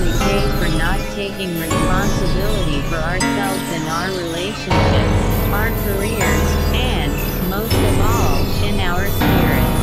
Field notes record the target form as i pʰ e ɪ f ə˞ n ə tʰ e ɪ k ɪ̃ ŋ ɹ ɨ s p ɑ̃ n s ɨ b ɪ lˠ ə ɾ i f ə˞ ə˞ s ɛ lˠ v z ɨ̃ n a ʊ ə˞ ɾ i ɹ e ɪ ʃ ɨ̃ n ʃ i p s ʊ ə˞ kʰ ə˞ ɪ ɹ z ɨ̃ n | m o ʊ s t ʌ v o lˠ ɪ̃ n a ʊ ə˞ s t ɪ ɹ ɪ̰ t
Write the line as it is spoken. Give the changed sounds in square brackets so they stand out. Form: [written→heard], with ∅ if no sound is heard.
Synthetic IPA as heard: i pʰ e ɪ f ə˞ n ə tʰ e ɪ k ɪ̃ ŋ ɹ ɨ s p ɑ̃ n s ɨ b ɪ lˠ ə ɾ i f ə˞ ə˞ s ɛ lˠ v z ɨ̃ n a ʊ ə˞ [ɾ→ɹ] i [ɹ→l] e ɪ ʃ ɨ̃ n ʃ [i→ɪ] p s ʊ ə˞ kʰ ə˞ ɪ ɹ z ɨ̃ n | m o ʊ s t ʌ v [o→ɔ] lˠ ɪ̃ n a ʊ ə˞ s [t→p] ɪ ɹ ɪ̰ t